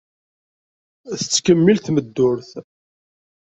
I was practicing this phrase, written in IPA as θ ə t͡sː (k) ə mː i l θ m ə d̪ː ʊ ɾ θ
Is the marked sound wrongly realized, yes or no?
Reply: no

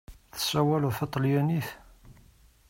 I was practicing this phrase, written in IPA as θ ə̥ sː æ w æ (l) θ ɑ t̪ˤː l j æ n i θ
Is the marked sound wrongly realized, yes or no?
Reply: no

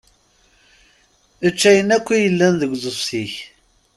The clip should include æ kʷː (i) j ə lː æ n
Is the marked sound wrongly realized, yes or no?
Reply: no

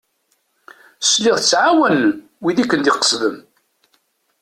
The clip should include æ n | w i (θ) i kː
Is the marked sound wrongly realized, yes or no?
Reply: yes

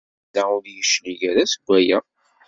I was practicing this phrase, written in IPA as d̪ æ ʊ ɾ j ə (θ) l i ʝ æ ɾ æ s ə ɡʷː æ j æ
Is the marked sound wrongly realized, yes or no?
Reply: yes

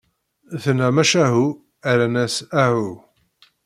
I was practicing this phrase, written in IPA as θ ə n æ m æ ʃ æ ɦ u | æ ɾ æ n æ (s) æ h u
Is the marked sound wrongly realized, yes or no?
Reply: no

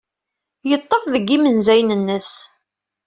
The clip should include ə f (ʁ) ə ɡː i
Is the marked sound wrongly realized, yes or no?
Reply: yes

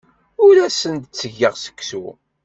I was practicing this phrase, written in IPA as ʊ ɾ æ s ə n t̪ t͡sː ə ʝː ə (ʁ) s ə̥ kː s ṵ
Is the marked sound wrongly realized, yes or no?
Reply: no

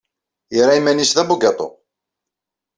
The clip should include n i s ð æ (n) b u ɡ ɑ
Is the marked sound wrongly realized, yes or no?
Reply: yes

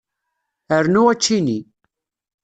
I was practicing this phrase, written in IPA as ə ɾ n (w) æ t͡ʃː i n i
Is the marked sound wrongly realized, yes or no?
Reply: yes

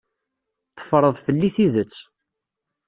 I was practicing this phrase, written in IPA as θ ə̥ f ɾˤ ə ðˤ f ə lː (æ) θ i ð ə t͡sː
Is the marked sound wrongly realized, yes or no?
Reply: yes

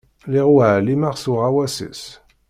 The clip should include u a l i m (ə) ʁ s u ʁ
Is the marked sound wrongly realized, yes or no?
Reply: yes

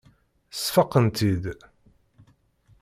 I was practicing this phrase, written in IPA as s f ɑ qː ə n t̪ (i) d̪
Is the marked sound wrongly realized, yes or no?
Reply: no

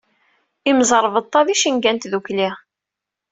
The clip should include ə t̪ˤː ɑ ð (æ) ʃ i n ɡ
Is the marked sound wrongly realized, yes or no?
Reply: yes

